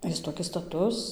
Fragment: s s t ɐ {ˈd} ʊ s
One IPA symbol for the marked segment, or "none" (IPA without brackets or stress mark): t